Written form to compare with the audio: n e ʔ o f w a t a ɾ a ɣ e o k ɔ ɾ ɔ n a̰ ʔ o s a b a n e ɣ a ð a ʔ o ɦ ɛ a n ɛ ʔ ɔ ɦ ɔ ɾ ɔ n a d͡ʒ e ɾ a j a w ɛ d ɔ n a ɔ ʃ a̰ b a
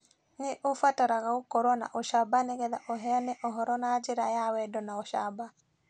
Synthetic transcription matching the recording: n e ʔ o f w a t a ɾ a ɣ a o k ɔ ɾ ɔ n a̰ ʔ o ʃ a b a n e ɣ ɛ ð a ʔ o ɦ ɛ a n ɛ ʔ ɔ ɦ ɔ ɾ ɔ n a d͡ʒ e ɾ a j a w ɛ d ɔ n a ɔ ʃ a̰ b a